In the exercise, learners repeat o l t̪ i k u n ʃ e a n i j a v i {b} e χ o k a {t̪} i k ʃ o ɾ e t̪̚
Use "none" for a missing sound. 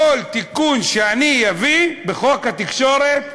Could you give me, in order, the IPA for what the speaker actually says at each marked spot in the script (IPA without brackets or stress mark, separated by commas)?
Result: b, t̪